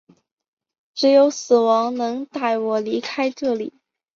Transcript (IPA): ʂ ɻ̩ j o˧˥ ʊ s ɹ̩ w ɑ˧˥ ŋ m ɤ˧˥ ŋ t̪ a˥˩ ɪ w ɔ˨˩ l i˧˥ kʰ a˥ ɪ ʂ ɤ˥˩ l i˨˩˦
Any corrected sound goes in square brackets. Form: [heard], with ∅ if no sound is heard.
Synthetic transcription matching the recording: [ʈ͡ʂ] ɻ̩ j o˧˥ ʊ s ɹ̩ w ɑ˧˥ ŋ [n] ɤ˧˥ ŋ t̪ a˥˩ ɪ w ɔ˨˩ l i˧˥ kʰ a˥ ɪ [ʈ͡ʂ] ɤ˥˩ l i˨˩˦